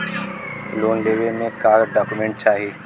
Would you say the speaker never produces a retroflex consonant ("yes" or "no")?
no